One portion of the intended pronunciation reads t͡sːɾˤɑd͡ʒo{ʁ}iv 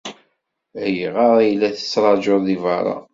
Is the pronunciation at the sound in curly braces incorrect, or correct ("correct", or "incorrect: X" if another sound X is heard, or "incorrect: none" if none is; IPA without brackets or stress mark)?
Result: incorrect: ð